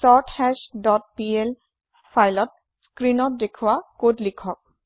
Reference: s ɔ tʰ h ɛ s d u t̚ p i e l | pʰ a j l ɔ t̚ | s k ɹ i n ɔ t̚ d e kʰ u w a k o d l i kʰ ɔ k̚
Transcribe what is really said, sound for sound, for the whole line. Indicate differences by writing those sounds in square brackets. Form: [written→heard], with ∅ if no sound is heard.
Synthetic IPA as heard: s ɔ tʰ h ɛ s d [u→ɔ] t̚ p i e l | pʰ a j l ɔ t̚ | s k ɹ i n ɔ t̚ d e kʰ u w a k o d l i kʰ ɔ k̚